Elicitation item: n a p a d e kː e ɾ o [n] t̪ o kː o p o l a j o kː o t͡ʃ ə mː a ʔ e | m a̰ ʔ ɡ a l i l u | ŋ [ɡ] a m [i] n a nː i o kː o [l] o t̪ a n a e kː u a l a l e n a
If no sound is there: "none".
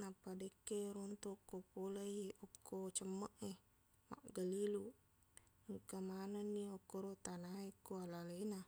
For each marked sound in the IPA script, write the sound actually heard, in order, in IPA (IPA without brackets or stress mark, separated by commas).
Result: n, k, a, ɾ